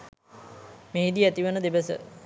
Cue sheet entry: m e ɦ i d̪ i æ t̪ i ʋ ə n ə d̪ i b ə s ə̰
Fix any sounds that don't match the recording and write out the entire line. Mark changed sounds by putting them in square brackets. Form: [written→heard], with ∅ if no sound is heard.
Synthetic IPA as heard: m e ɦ i d̪ i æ t̪ i ʋ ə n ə d̪ [i→e] b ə s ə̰